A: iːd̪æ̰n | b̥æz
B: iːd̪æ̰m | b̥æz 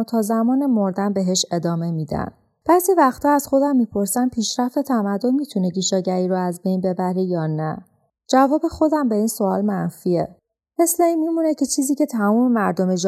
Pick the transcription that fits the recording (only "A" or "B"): A